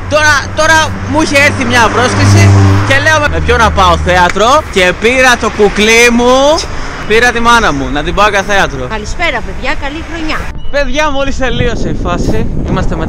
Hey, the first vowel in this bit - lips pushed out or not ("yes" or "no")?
yes